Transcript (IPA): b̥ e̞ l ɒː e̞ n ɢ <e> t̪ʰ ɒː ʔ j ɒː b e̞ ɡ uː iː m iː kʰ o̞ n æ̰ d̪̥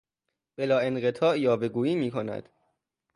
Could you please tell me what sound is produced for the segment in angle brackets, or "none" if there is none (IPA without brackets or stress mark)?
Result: e